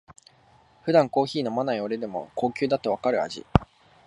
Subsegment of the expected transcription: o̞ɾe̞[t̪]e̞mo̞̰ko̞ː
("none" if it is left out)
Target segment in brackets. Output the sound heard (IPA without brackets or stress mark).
d̪